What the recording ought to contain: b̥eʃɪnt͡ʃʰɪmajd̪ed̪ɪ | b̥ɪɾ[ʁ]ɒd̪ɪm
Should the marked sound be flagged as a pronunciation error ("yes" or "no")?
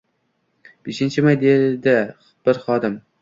yes